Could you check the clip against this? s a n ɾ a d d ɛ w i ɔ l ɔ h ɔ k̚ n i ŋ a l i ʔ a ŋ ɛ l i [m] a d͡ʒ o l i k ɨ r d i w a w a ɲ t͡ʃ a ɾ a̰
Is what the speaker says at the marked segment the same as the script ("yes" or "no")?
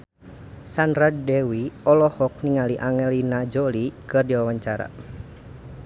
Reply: no